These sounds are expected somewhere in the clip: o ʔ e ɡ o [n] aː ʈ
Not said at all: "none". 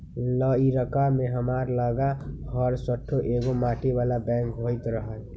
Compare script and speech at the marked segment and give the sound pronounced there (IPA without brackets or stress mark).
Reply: m